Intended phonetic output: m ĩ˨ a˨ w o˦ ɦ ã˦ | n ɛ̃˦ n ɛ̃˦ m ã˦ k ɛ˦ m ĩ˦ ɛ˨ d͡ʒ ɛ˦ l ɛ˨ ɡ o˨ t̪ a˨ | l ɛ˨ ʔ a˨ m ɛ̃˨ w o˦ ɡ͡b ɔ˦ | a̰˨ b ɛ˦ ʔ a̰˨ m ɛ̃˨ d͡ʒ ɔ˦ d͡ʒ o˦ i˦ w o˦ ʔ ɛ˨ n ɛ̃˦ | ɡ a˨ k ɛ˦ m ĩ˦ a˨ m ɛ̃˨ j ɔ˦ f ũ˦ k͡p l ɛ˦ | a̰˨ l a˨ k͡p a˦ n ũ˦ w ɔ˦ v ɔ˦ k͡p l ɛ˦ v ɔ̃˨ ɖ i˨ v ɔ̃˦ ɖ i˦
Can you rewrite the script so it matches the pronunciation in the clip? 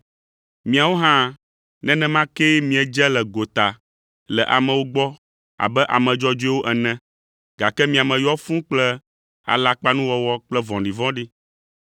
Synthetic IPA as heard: m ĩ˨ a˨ w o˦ ɦ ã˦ | n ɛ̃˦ n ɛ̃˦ m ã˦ k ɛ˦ m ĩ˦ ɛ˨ d͡ʒ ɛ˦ l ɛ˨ ɡ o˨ t̪ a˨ | l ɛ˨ ʔ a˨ m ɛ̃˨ w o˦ ɡ͡b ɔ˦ | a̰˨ b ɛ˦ ʔ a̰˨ m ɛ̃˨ d͡ʒ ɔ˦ d͡ʒ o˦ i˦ w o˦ ʔ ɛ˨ n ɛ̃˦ | ɡ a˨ k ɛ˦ m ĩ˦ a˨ m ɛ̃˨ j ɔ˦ f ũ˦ k͡p l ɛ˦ | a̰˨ l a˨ k͡p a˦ n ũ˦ w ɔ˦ w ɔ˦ k͡p l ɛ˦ v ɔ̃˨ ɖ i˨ v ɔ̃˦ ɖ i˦